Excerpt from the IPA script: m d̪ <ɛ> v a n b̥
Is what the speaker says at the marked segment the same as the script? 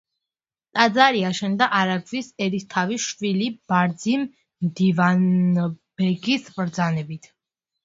no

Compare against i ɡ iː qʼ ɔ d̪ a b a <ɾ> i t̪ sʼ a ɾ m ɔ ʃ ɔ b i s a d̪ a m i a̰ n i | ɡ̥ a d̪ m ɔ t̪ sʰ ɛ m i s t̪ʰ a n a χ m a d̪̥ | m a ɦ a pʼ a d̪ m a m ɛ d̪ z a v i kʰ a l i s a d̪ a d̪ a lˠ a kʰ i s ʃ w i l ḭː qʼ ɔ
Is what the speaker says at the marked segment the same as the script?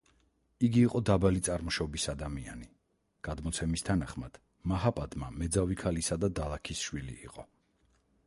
no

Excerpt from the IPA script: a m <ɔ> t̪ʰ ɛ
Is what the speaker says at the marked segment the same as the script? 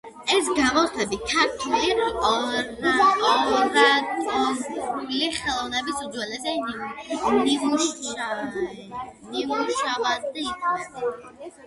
yes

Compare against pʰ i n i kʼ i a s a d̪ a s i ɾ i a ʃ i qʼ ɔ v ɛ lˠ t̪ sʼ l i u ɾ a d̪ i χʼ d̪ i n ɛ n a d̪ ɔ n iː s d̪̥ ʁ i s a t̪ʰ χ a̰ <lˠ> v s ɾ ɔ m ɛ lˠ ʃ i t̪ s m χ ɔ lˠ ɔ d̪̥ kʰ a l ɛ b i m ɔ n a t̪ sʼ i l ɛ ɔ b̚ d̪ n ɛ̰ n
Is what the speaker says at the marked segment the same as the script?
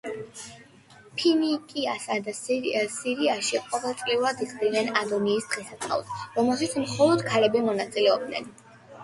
no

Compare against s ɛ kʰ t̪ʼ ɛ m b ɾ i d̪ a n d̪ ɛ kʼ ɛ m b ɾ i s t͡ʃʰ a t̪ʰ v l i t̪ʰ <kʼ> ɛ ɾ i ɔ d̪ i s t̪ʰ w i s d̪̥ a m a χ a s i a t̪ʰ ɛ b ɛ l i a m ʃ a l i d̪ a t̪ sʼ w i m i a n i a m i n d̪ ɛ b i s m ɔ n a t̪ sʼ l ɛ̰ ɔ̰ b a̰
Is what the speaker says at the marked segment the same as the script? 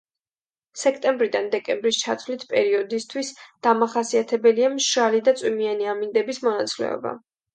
no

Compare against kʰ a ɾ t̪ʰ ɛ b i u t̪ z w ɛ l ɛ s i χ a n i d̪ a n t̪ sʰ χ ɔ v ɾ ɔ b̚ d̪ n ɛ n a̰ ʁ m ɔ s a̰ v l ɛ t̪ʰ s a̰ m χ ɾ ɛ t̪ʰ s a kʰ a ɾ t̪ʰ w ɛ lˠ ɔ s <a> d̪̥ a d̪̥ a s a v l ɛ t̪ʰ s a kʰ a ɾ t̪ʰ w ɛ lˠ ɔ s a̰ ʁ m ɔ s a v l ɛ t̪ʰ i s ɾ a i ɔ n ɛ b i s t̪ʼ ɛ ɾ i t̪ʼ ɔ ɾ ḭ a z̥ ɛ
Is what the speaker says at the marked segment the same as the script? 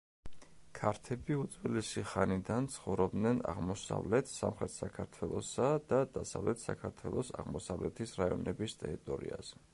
yes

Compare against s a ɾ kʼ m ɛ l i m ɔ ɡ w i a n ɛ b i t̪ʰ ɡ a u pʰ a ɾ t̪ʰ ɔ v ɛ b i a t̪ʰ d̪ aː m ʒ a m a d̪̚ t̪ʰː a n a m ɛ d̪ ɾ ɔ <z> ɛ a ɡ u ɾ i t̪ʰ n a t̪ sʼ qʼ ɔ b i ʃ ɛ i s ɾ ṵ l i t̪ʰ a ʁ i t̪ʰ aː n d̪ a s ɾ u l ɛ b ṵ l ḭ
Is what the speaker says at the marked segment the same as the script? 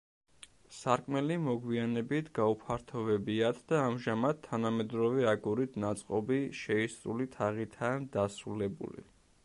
no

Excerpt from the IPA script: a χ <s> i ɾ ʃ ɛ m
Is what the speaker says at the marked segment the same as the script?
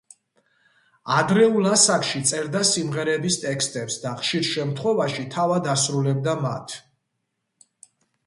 no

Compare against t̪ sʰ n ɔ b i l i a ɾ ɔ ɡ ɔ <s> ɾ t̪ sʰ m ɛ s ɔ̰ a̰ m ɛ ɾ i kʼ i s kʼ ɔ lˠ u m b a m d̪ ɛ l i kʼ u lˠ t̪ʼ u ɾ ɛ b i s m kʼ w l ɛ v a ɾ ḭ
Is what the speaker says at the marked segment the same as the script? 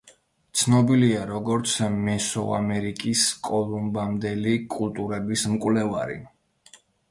no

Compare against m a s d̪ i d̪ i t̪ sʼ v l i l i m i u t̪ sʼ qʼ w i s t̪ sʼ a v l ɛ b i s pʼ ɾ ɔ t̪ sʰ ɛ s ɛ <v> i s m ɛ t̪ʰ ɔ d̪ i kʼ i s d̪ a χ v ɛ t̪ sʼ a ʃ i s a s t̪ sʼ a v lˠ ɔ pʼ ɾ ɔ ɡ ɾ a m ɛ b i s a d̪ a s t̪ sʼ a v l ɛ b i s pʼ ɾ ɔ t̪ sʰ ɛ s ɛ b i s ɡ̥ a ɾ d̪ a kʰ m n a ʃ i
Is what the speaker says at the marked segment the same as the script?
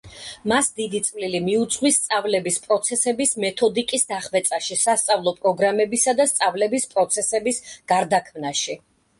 no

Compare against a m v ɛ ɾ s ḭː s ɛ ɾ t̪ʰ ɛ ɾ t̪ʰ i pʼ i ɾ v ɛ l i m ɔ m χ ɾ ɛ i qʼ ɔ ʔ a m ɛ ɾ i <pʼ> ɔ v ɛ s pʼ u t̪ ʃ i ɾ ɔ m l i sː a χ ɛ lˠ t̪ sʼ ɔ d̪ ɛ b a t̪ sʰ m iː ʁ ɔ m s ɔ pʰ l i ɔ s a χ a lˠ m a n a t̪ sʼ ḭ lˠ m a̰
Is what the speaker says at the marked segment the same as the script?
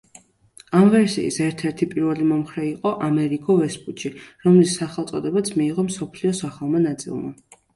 no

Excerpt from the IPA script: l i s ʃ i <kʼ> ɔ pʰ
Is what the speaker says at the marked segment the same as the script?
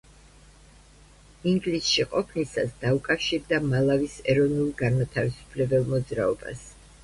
no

